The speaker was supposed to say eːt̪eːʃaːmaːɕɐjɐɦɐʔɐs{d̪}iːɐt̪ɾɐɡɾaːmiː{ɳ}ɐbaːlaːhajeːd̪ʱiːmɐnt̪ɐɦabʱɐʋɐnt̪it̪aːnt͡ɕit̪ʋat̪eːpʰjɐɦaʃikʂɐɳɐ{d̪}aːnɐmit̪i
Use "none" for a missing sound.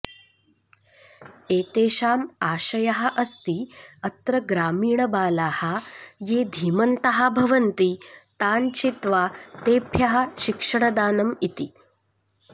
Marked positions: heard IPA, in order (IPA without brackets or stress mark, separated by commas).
t̪, ɳ, d̪